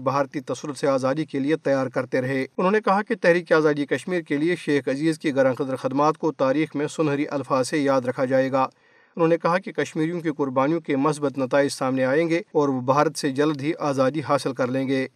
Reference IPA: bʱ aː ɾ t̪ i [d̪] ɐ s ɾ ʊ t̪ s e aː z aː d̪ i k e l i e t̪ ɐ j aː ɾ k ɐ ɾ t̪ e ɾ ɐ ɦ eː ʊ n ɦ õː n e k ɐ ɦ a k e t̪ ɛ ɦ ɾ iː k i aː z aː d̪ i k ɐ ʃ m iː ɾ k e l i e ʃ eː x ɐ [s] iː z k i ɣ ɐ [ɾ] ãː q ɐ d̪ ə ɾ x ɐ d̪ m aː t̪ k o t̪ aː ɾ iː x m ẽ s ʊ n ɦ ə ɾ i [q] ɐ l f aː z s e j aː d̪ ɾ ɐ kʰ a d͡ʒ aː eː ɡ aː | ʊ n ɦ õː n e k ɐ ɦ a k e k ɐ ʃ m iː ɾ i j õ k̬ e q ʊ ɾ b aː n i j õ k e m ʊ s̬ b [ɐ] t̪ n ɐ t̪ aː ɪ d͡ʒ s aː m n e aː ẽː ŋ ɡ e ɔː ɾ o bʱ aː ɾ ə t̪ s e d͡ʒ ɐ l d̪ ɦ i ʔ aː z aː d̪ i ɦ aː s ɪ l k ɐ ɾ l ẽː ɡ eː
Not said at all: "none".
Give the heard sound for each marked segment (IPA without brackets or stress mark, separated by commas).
t̪, z, ɾ, ʔ, ə